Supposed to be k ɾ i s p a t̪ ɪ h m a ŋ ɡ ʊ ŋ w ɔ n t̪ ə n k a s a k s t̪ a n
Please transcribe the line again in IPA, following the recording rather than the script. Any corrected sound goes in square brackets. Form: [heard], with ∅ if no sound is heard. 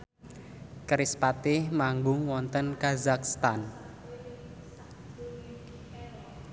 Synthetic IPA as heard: k ɾ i s p a t̪ ɪ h m a ŋ ɡ ʊ ŋ w ɔ n t̪ ə n k a [z] a k s t̪ a n